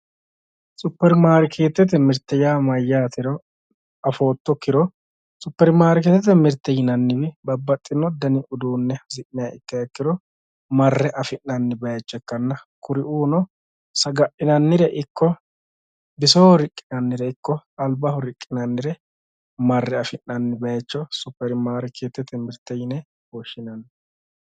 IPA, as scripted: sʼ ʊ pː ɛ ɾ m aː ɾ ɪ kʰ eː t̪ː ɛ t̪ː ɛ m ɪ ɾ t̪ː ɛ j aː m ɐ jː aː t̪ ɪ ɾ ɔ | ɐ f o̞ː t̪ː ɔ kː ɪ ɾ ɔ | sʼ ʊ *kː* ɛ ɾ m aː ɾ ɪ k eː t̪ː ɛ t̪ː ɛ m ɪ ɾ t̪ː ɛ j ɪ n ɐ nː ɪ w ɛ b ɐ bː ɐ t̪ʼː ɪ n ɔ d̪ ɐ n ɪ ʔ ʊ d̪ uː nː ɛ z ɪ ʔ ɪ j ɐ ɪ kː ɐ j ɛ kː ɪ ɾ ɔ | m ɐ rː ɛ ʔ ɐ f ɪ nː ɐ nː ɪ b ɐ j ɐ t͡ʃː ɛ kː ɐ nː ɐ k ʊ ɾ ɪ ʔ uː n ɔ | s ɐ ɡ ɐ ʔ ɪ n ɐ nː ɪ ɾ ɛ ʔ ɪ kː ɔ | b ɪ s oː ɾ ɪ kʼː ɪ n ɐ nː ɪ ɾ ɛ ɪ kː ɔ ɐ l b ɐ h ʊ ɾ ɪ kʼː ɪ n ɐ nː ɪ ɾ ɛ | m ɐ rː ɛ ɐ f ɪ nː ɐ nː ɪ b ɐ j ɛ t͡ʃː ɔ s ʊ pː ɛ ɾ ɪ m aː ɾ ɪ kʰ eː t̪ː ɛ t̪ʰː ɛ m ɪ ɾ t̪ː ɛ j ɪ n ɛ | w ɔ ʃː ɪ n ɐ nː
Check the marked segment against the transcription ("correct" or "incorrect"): incorrect